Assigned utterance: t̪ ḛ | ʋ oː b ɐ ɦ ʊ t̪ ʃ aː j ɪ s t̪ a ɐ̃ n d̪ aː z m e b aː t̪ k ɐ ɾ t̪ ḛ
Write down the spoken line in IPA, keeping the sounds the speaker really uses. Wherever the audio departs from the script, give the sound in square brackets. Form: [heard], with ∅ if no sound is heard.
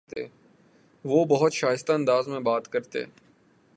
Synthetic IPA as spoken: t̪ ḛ | ʋ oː b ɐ ɦ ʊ t̪ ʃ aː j ɪ s t̪ a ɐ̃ n d̪ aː z m [ẽ] b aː t̪ k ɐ ɾ t̪ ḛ